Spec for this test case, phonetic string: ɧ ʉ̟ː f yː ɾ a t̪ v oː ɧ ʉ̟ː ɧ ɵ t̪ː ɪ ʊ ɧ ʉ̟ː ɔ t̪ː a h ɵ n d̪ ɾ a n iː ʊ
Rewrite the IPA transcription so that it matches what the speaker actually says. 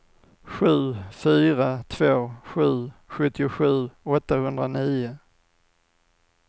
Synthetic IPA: ɧ ʉ̟ː f yː ɾ a t̪ʰ v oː ɧ ʉ̟ː ɧ ɵ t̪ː ɪ ʊ ɧ ʉ̟ː ɔ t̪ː a h ɵ n d̪ ɾ a n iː ʊ